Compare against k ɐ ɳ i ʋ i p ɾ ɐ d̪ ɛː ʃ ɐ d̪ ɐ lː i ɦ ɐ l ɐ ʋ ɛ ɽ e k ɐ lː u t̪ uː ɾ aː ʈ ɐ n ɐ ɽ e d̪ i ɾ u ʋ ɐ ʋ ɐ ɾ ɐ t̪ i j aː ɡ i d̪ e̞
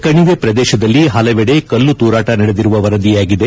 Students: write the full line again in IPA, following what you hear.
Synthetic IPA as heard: k ɐ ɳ i ʋ e p ɾ ɐ d̪ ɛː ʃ ɐ d̪ ɐ lː i ɦ ɐ l ɐ ʋ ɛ ɽ e k ɐ lː u t̪ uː ɾ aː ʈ ɐ n ɐ ɽ e d̪ i ɾ u ʋ ɐ ʋ ɐ ɾ ɐ d̪ i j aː ɡ i d̪ e̞